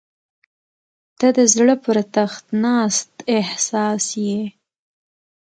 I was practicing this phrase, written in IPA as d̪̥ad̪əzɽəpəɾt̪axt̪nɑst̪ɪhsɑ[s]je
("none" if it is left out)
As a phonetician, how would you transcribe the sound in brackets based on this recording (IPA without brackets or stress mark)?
s